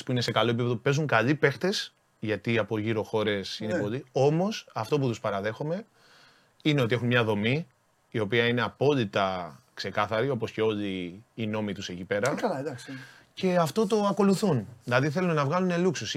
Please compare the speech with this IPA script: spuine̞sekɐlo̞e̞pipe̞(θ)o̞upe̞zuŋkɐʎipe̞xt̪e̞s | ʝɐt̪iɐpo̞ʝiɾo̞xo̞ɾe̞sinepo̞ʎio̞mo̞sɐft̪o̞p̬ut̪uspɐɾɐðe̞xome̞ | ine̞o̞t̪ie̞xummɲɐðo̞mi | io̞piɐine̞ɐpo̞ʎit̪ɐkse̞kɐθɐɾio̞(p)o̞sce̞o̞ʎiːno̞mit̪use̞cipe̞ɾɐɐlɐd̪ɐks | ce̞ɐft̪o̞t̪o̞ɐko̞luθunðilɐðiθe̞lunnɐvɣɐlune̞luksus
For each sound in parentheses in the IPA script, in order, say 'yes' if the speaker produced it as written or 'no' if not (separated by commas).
no, yes